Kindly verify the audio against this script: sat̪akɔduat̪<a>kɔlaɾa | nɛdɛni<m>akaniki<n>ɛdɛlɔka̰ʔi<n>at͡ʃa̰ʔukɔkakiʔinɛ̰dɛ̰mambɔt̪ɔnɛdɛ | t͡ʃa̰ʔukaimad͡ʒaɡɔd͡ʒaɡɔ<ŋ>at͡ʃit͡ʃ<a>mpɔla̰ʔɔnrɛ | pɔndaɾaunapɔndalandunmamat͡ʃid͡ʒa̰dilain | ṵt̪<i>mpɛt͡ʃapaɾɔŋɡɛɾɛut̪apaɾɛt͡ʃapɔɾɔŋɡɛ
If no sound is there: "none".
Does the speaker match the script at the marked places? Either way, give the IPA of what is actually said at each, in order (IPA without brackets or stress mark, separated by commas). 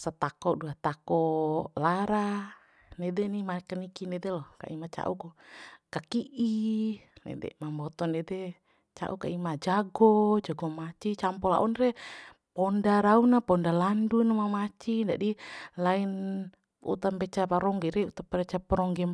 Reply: a, m, n, m, m, a, a